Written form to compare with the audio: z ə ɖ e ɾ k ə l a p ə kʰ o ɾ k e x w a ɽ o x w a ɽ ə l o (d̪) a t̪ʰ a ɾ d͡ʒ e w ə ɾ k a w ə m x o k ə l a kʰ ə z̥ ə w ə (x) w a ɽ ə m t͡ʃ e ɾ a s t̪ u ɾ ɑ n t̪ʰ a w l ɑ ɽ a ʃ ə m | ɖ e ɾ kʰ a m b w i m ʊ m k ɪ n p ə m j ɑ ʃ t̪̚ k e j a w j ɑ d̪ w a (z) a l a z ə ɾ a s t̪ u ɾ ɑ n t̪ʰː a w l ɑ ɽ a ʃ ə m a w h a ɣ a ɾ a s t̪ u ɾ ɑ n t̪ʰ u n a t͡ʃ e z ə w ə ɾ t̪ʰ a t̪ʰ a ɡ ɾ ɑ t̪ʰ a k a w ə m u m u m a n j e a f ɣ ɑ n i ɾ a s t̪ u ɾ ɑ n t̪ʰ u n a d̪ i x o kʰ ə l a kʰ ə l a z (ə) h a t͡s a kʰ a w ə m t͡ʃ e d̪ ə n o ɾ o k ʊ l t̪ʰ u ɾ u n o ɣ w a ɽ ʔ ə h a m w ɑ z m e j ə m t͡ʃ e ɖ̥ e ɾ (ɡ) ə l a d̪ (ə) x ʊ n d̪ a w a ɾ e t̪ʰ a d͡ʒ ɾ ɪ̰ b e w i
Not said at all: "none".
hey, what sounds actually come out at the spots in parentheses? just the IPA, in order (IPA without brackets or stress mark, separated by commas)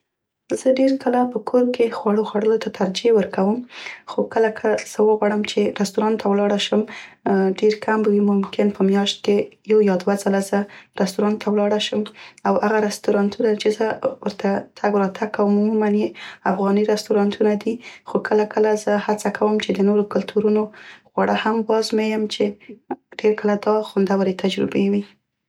t̪, ɣ, z, ə, k, ɑ